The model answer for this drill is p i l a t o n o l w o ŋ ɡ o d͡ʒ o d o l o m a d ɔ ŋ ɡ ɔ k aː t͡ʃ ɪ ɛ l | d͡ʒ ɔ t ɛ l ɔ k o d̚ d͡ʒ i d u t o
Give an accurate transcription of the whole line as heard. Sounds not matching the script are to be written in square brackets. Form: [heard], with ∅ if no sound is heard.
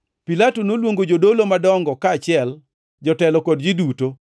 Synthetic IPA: p i l a t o n o l w o ŋ ɡ o d͡ʒ o d o l o m a d ɔ ŋ ɡ ɔ k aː t͡ʃ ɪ ɛ l | d͡ʒ ɔ t ɛ l ɔ k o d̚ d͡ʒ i d u t o